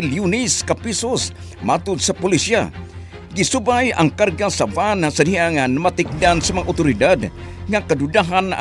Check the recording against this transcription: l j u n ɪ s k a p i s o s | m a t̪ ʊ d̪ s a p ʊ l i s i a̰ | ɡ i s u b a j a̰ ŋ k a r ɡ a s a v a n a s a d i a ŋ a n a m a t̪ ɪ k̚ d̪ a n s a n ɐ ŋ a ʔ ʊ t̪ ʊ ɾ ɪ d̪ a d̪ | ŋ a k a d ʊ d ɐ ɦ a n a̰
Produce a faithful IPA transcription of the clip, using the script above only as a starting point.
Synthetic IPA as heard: l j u n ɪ s k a p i s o s | m a t̪ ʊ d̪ s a p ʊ l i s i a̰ | ɡ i s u b a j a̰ ŋ k a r ɡ a s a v a n a s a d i a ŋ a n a m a t̪ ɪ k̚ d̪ a n s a m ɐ ŋ a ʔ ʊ t̪ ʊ ɾ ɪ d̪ a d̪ | ŋ a k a d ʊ d a ɦ a n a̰

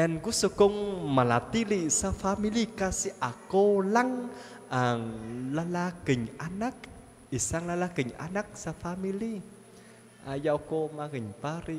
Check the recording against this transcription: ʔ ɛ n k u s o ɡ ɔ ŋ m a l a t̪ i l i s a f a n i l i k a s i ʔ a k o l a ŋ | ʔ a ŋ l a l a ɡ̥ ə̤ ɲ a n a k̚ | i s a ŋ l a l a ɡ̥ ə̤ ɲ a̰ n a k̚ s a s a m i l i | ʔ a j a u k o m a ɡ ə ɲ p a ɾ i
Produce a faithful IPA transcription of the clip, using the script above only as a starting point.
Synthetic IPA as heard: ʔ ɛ n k u s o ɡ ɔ ŋ m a l a t̪ i l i s a f a m i l i k a s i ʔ a k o l a ŋ | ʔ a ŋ l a l a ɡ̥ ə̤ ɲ a n a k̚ | i s a ŋ l a l a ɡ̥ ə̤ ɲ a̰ n a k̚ s a f a m i l i | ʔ a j a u k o m a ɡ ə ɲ p a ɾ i

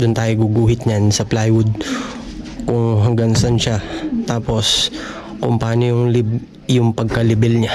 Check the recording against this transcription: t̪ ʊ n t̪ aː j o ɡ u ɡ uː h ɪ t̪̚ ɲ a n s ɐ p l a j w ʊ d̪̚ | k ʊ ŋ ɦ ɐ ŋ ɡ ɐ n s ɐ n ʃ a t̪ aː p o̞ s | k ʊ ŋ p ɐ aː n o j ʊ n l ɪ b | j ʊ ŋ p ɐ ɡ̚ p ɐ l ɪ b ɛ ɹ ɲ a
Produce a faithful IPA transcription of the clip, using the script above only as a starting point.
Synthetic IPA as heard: d̪ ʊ n t̪ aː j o ɡ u ɡ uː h ɪ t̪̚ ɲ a n s ɐ p l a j w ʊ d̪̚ | k ʊ ŋ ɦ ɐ ŋ ɡ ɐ ŋ s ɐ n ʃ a t̪ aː p o̞ s | k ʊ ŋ p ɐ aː n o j ʊ ŋ l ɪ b | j ʊ ŋ p ɐ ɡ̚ k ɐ l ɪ b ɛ l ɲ a

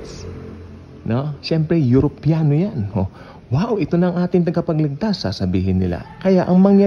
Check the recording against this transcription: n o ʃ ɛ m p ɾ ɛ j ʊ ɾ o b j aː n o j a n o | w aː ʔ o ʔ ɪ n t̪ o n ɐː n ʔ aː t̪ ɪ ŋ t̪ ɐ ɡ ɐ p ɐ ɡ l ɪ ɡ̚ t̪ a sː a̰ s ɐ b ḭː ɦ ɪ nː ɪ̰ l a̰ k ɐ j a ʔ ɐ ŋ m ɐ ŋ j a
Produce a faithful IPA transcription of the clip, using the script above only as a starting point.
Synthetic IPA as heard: n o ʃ ɛ m p ɾ ɛ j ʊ ɾ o p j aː n o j a n o | w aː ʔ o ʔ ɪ t̪ o n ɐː ŋ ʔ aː t̪ ɪ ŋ t̪ ɐ ɡ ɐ p ɐ ɡ l ɪ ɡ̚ t̪ a sː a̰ s ɐ b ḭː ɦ ɪ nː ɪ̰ l a̰ k ɐ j a ʔ ɐ ŋ m ɐ ŋ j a

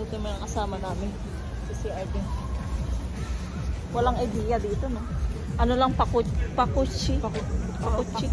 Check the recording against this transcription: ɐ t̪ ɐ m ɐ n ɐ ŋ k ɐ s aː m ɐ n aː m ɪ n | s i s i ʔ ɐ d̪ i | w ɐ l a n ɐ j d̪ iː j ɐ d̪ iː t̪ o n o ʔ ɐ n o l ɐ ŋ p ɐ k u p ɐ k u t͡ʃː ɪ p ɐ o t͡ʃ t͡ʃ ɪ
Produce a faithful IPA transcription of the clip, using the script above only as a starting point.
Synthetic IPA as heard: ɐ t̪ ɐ m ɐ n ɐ ŋ k ɐ s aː m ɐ n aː m ɪ n | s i s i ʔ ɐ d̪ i | w ɐ l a ŋ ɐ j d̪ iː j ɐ d̪ iː t̪ o n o ʔ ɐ n o l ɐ ŋ p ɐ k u p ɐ k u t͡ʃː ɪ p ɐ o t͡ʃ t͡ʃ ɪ

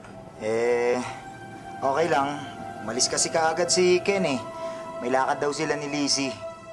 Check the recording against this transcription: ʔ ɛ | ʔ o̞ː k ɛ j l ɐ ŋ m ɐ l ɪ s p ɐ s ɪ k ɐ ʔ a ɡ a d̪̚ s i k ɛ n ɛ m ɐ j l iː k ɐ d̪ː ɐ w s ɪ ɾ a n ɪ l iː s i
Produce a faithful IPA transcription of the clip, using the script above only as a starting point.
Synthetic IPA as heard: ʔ ɛ | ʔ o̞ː k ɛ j l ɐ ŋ m ɐ l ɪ s k ɐ s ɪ k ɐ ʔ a ɡ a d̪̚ s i k ɛ n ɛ m ɐ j l aː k ɐ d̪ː ɐ w s ɪ l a n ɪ l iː s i

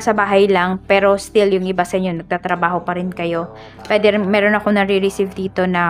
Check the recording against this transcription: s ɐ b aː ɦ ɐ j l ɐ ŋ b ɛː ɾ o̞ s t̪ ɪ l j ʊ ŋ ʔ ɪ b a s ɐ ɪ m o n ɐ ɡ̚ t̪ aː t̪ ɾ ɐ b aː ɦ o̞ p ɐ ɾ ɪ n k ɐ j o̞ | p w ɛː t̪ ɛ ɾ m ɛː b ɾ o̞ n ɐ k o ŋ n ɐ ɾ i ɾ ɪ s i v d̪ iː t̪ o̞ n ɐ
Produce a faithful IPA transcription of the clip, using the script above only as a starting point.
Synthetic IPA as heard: s ɐ b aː ɦ ɐ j l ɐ ŋ p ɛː ɾ o̞ s t̪ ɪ l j ʊ ŋ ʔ ɪ b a s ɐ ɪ ɲ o n ɐ ɡ̚ t̪ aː t̪ ɾ ɐ b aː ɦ o̞ p ɐ ɾ ɪ n k ɐ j o̞ | p w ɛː d̪ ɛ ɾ m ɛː ɾ o̞ n ɐ k o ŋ n ɐ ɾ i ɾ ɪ s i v d̪ iː t̪ o̞ n ɐ

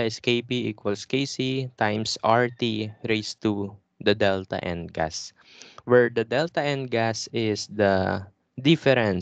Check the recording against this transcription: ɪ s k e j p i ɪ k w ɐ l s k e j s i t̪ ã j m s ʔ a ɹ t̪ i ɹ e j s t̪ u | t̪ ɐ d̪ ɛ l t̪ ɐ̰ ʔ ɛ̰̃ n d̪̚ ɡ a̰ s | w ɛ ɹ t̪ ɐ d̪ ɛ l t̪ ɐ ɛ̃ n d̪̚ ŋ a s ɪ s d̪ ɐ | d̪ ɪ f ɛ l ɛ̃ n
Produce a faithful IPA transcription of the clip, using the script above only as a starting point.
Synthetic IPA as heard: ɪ s k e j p i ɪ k w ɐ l s k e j s i t̪ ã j m s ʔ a ɹ t̪ i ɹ e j s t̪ u | d̪ ɐ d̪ ɛ l t̪ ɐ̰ ʔ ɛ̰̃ n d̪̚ ɡ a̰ s | w ɛ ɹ d̪ ɐ d̪ ɛ l t̪ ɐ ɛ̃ n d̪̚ ɡ a s ɪ s d̪ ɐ | d̪ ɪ f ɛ ɾ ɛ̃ n

